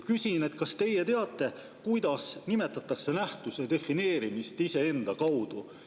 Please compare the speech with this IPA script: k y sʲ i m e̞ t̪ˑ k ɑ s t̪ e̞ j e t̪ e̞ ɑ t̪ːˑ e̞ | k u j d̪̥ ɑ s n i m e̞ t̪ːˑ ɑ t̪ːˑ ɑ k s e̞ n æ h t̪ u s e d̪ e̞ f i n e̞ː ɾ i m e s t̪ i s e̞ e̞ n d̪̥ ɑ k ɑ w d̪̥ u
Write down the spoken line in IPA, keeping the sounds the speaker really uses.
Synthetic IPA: k y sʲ i n e̞ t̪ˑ k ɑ s t̪ e̞ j e t̪ e̞ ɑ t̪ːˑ e̞ | k u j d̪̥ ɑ s n i m e̞ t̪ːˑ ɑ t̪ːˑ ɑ k s e̞ n æ h t̪ u s e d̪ e̞ f i n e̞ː ɾ i m i s t̪ i s e̞ e̞ n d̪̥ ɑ k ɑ w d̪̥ u